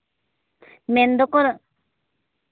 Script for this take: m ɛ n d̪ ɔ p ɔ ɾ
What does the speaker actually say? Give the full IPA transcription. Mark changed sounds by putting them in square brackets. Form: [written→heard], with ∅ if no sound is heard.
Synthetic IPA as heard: m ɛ n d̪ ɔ [p→k] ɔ ɾ